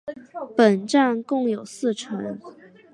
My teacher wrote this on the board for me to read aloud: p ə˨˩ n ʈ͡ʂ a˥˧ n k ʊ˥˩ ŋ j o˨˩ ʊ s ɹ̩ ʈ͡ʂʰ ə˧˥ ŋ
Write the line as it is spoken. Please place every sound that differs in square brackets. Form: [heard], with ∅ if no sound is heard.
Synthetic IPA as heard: p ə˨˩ n ʈ͡ʂ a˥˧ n k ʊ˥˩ ŋ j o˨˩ ʊ s ɹ̩ ʈ͡ʂʰ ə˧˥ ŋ